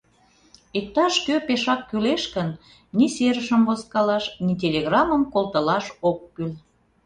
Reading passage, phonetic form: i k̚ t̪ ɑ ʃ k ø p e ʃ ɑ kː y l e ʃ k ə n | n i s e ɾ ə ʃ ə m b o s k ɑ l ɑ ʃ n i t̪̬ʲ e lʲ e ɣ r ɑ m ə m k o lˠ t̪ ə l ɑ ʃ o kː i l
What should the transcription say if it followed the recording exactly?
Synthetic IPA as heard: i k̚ t̪ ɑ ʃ k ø p e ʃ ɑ kː y l e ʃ k ə n | n i s e ɾ ə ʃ ə m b o s k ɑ l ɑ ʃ n i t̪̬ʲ e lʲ e ɣ r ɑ m ə m k o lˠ t̪ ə l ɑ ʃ o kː y l